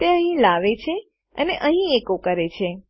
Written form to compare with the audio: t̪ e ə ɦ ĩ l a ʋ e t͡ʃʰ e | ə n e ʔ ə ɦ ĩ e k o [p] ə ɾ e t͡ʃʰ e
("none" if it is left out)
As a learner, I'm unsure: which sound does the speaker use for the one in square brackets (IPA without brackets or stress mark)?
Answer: k